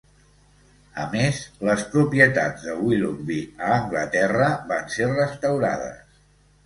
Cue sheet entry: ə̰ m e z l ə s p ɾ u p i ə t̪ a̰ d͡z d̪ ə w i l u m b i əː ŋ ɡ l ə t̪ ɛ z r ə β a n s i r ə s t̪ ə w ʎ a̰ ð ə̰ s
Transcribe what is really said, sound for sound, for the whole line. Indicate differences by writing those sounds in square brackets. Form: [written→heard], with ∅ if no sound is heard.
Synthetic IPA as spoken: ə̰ m e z l ə s p ɾ u p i ə t̪ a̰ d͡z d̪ ə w i l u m b i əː ŋ ɡ l ə t̪ ɛ [z→∅] r ə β a n s [i→e] r ə s t̪ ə w [ʎ→ɾ] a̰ ð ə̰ s